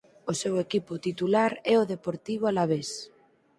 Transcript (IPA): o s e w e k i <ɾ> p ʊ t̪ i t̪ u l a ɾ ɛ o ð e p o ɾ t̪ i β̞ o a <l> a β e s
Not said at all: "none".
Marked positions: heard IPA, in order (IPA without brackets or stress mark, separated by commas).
none, l